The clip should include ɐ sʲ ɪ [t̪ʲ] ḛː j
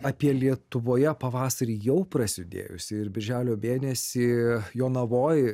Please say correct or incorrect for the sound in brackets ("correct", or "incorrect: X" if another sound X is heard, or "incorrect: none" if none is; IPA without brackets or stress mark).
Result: incorrect: d̪ʲ